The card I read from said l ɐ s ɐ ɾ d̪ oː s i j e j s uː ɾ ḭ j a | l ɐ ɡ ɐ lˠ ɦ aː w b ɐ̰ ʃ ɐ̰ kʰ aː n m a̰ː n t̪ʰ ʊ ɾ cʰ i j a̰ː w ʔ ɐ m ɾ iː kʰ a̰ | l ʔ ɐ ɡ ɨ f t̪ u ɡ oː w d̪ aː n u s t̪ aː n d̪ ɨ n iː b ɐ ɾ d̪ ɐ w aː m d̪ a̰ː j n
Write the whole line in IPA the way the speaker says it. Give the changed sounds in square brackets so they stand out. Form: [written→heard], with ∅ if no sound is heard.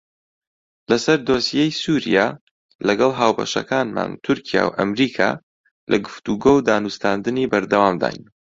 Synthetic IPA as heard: l ɐ s ɐ ɾ d̪ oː s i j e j s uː ɾ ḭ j a | l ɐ ɡ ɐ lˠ ɦ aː w b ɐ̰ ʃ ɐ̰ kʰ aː n m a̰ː n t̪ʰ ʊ ɾ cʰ i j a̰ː w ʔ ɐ m ɾ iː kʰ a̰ | l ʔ ɐ ɡ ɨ f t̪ u ɡ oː w d̪ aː n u s t̪ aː n d̪ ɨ n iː b ɐ ɾ d̪ ɐ w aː m d̪ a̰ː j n